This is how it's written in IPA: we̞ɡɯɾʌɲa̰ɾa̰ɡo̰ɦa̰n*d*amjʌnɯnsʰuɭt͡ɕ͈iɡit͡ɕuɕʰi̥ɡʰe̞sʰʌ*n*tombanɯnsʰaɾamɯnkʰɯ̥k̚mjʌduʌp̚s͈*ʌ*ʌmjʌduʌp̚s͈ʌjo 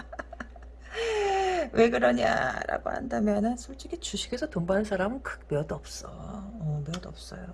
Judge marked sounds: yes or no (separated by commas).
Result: yes, no, yes